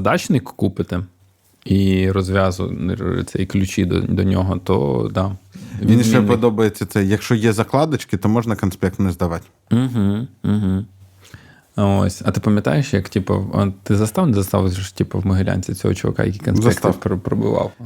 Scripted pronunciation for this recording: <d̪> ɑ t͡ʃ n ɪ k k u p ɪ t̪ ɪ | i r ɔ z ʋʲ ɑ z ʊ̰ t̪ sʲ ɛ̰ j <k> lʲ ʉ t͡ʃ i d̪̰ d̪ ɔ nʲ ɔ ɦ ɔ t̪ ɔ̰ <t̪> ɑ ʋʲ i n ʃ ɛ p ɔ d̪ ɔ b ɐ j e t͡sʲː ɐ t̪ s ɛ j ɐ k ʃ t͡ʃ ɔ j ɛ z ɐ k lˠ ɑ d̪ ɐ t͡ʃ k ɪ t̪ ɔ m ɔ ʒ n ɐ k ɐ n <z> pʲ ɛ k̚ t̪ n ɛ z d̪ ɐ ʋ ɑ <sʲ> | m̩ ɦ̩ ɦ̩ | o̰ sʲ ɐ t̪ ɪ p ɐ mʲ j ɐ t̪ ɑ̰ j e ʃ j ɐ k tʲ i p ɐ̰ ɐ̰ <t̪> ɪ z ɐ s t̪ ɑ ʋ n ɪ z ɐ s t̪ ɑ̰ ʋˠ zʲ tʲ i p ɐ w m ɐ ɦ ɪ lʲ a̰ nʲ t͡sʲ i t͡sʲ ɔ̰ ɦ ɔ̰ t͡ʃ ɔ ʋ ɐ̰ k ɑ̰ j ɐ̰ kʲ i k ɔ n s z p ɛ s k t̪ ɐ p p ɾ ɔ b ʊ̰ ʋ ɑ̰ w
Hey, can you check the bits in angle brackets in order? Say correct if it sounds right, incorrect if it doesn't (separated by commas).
correct, correct, incorrect, incorrect, incorrect, correct